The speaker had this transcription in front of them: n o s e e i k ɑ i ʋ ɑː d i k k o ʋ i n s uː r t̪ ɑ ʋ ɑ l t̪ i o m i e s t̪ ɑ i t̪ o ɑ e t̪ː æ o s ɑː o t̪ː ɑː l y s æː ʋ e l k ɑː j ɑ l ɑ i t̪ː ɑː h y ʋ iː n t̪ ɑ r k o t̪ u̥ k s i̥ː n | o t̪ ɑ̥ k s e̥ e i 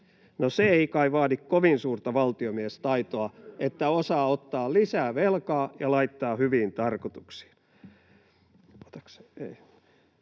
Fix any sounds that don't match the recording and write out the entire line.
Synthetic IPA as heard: n o s e e i k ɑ i ʋ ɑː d i k k o ʋ i n s uː r t̪ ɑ ʋ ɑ l t̪ i o m i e s t̪ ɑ i t̪ o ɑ e t̪ː æ o s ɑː o t̪ː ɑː l i s æː ʋ e l k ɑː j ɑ l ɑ i t̪ː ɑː h y ʋ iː n t̪ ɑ r k o t̪ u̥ k s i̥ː n | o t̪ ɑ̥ k s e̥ e i